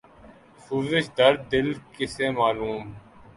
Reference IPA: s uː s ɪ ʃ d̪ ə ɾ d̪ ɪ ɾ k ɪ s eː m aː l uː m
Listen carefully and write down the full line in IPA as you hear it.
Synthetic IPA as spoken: s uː z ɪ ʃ d̪ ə ɾ d̪ ɪ l k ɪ s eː m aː l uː m